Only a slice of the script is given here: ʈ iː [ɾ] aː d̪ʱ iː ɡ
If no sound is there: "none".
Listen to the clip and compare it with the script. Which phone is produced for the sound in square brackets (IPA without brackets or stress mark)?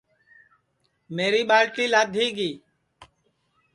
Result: l